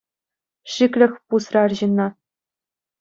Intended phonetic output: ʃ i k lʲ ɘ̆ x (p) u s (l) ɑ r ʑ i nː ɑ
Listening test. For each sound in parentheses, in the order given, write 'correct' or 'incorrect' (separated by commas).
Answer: correct, incorrect